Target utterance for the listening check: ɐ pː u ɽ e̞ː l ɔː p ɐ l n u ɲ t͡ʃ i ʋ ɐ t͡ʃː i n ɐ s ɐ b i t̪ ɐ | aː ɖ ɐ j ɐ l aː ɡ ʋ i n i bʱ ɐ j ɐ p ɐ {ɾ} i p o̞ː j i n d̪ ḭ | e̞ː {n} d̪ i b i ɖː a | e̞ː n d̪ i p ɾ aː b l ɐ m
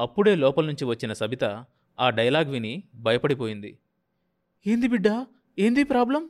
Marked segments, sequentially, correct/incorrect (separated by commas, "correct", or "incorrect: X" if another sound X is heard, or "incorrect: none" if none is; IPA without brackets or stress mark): incorrect: ɽ, correct